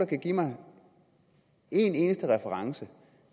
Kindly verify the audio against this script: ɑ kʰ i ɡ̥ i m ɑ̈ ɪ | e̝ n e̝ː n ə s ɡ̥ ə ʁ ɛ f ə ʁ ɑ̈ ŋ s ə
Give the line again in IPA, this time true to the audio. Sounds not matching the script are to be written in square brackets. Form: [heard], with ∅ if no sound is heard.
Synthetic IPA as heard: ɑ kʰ [æ] ɡ̥ i m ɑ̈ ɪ | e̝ n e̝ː n ə s [d̥] ə ʁ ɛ f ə ʁ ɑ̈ ŋ s ə

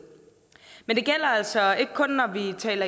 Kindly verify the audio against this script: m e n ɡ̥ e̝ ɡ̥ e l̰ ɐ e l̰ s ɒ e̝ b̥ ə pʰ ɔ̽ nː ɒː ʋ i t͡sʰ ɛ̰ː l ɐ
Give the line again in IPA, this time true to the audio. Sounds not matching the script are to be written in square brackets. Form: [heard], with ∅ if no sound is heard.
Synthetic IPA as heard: m e n [d̥] e̝ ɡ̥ e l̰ ɐ [æ] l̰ s ɒ e̝ [ɡ̥] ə [kʰ] ɔ̽ nː [ɒ] ʋ i t͡sʰ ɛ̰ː l ɐ

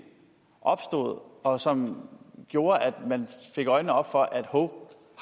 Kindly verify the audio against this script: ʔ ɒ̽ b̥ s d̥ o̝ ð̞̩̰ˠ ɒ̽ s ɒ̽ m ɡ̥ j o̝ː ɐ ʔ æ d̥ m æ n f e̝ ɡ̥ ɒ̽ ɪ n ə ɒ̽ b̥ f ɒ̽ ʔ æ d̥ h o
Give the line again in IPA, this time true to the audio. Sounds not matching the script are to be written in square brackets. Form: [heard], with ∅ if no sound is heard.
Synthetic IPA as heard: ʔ ɒ̽ b̥ s d̥ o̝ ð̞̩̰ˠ ɒ̽ s ɒ̽ m ɡ̥ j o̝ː ɐ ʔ æ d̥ m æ n f e̝ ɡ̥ ɒ̽ ɪ n ə ɒ̽ b̥ f ɒ̽ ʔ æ d̥ h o

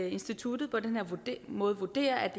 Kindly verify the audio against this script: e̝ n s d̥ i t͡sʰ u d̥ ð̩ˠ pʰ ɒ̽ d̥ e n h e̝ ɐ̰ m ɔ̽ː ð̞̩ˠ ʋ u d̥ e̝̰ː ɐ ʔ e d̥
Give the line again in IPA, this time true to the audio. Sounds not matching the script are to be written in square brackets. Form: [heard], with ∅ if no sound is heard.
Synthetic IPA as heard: e̝ n s d̥ i t͡sʰ u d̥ ð̩ˠ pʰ ɒ̽ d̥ e n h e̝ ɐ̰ m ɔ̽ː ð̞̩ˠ ʋ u d̥ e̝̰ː ɐ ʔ [æ] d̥

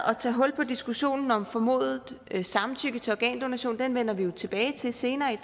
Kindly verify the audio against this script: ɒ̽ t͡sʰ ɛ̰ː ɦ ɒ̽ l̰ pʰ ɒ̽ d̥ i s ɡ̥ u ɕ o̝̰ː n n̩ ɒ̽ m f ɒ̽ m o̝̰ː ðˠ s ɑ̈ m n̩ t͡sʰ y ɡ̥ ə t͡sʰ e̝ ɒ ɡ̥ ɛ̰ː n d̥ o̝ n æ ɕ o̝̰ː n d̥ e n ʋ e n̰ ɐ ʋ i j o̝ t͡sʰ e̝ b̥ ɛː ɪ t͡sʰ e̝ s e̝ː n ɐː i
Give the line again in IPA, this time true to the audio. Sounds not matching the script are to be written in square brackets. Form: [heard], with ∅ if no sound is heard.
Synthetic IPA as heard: ɒ̽ t͡sʰ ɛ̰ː ɦ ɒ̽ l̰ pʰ ɒ̽ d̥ i s ɡ̥ u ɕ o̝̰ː n n̩ ɒ̽ m f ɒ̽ m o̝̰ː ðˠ s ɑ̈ m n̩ t͡sʰ y ɡ̥ ə t͡sʰ e̝ ɒ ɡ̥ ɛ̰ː n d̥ o̝ n æ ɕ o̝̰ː n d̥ e n ʋ e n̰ ɐ ʋ i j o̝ t͡sʰ e̝ b̥ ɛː ɪ t͡sʰ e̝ s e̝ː n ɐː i

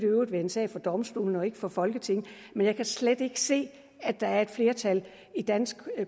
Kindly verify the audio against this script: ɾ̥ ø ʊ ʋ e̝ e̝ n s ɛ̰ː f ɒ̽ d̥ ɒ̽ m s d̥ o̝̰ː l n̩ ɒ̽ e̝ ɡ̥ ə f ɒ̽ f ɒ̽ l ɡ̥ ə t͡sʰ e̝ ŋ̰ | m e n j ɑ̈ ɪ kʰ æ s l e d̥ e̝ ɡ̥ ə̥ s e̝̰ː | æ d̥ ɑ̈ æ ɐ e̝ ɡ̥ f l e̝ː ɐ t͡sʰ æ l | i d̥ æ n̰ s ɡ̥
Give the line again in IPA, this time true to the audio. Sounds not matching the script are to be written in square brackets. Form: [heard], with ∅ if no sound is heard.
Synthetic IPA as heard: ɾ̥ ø ʊ ʋ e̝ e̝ n s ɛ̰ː f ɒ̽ d̥ ɒ̽ m s d̥ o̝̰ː l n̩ ɒ̽ e̝ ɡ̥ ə f ɒ̽ f ɒ̽ l ɡ̥ ə t͡sʰ e̝ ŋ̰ | m e n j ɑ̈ ɪ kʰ æ s l e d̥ e̝ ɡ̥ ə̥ s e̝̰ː | æ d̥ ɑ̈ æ ɐ e̝ [d̥] f l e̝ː ɐ t͡sʰ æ l | i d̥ æ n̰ s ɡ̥

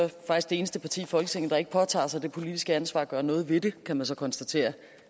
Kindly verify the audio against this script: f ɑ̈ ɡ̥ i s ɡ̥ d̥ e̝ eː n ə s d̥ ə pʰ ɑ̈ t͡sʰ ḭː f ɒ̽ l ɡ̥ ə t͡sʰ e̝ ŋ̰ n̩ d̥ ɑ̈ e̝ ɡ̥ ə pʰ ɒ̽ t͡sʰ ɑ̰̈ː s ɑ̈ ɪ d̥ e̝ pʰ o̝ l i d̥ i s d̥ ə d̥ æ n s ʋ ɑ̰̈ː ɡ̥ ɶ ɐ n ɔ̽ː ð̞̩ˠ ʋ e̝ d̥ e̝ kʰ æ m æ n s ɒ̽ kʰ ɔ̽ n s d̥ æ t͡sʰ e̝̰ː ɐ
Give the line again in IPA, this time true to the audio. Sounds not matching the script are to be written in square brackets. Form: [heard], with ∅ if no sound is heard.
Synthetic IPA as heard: f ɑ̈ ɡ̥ i s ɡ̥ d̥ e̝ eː n ə s d̥ ə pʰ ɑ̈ t͡sʰ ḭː f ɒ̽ l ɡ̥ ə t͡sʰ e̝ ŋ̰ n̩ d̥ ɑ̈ e̝ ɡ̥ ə pʰ ɒ̽ t͡sʰ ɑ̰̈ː s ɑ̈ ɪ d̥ e̝ pʰ o̝ l i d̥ i s [ɡ̥] ə [∅] æ n s ʋ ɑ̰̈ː ɡ̥ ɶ ɐ n ɔ̽ː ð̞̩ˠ ʋ e̝ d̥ e̝ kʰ æ m æ n s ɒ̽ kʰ [ɒ̽] n s d̥ æ t͡sʰ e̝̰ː ɐ

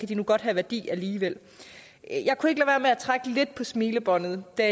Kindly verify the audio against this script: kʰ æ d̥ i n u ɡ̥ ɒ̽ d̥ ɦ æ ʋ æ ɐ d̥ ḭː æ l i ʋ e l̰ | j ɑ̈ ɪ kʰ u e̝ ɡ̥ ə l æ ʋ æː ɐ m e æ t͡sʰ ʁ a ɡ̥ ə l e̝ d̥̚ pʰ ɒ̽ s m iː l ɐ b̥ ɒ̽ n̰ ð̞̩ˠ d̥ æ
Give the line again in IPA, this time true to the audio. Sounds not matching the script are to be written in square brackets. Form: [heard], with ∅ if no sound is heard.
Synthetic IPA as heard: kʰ æ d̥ i n u ɡ̥ ɒ̽ d̥ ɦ æ ʋ æ ɐ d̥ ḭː æ l [iː] ʋ e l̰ | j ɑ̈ ɪ kʰ u e̝ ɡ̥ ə l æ ʋ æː ɐ m e æ t͡sʰ ʁ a ɡ̥ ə l e̝ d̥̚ pʰ ɒ̽ s m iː l [ə] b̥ ɒ̽ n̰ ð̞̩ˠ d̥ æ

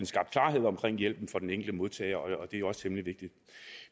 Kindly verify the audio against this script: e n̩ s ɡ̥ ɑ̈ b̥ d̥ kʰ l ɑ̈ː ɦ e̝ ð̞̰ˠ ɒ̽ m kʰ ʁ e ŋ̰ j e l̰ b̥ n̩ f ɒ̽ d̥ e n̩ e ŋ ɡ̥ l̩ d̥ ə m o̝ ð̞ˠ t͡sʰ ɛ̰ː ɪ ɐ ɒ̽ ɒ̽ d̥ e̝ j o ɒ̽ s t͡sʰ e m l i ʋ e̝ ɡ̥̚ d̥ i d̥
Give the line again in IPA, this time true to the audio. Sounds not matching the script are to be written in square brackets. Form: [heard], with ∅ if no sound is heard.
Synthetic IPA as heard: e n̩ s ɡ̥ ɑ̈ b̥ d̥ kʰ l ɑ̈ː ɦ e̝ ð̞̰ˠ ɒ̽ m kʰ ʁ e ŋ̰ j e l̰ b̥ n̩ f ɒ̽ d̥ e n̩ e ŋ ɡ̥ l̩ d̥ ə m o̝ ð̞ˠ t͡sʰ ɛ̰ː ɪ ɐ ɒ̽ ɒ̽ d̥ e̝ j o ɒ̽ s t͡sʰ e m l i ʋ e̝ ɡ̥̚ d̥ i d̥

